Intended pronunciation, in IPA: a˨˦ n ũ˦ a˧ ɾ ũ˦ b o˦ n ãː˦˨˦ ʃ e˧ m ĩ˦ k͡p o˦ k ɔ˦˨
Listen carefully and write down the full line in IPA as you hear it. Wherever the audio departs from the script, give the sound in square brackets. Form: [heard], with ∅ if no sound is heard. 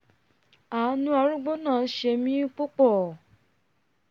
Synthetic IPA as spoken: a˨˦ n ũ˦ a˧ ɾ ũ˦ [ɡ͡b] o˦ n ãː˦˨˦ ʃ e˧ m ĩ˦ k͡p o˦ [k͡p] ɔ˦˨